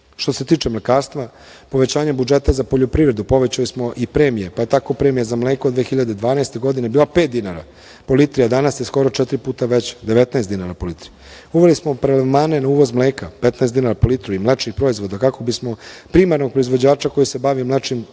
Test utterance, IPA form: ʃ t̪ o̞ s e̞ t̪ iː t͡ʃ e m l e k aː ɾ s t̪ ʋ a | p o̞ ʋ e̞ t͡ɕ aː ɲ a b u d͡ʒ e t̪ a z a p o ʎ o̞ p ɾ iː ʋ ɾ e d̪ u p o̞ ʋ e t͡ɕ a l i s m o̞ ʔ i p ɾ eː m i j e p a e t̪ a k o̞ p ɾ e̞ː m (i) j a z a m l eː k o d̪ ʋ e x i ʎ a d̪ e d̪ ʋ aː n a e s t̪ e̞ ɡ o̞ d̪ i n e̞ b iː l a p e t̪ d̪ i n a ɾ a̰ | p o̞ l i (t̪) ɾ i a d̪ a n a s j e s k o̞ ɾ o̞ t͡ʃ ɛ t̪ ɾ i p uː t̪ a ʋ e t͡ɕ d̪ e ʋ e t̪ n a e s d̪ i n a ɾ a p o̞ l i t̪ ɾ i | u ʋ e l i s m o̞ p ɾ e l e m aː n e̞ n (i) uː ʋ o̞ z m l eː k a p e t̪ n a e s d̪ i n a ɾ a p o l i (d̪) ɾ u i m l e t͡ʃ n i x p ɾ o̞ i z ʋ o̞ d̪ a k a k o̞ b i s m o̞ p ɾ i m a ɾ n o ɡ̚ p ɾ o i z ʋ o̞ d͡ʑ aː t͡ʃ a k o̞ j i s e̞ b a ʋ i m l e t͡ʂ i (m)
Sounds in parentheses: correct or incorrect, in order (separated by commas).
correct, correct, incorrect, incorrect, correct